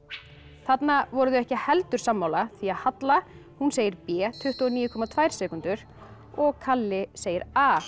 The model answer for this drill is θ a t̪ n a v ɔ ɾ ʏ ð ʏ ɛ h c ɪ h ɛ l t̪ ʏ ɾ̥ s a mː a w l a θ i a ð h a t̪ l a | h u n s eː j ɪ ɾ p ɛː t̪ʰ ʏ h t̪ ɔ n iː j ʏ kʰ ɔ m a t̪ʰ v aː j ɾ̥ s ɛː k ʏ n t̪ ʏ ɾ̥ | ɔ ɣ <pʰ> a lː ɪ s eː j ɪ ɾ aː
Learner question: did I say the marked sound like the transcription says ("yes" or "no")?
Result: no